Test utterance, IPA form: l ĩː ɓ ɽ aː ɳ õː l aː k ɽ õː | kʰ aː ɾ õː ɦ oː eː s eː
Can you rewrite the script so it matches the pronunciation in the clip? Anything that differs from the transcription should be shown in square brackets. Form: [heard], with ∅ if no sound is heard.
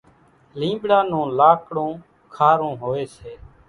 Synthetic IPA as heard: l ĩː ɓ ɽ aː [n] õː l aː k ɽ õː | kʰ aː ɾ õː ɦ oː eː s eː